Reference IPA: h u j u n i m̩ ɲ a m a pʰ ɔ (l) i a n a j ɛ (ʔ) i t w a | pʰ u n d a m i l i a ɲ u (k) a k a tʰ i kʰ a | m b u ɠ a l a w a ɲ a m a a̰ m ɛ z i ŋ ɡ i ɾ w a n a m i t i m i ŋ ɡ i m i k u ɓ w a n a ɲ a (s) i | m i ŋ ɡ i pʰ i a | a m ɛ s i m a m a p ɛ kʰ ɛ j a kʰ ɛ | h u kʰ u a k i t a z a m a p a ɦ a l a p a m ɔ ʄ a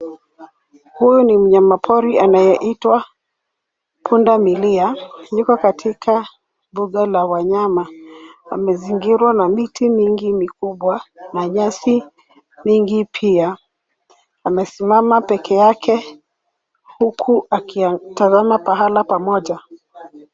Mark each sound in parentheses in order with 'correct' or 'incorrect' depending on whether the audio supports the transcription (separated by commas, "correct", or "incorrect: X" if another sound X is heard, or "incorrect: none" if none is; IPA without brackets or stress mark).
incorrect: ɾ, correct, correct, correct